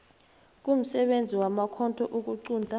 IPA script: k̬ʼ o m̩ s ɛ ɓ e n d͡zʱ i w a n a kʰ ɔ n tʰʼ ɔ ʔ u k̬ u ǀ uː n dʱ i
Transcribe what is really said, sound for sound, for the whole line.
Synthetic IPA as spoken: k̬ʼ u m̩ s ɛ ɓ e n d͡zʱ i w a m a kʰ ɔ n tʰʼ ɔ ʔ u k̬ u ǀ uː n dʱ a